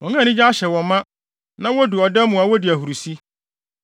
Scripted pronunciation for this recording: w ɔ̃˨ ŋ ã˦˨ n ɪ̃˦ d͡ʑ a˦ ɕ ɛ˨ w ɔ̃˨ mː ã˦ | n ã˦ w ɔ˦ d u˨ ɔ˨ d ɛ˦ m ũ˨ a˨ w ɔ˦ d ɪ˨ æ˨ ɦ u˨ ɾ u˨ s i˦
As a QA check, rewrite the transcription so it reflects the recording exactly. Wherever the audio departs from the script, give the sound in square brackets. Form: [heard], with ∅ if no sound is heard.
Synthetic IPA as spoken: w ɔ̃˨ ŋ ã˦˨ n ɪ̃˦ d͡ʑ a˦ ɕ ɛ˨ w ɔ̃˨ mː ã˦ | n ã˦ w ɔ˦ d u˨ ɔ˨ d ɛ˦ m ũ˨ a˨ w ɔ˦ d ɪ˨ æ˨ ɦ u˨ ɾ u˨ s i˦